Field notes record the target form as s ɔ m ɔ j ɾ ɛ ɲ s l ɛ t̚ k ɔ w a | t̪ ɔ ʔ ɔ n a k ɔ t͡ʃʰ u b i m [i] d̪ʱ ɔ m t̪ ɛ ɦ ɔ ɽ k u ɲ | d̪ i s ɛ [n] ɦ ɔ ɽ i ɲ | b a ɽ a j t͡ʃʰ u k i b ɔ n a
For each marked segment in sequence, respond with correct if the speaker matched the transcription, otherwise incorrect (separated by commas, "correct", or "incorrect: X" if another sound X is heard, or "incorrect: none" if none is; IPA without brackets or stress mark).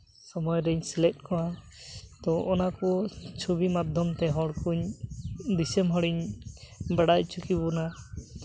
incorrect: a, incorrect: m